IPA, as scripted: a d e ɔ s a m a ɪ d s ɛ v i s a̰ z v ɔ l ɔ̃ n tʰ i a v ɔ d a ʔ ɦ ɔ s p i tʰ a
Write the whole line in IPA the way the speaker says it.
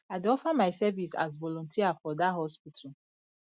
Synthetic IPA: a d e ɔ f a m a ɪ s ɛ v i s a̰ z v ɔ l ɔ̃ n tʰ i a f ɔ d a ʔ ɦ ɔ s p i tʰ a